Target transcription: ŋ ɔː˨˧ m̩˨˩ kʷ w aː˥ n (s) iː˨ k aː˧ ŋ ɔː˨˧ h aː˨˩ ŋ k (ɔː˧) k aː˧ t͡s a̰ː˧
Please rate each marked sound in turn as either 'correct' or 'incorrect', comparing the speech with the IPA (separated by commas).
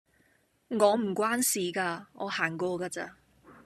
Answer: correct, correct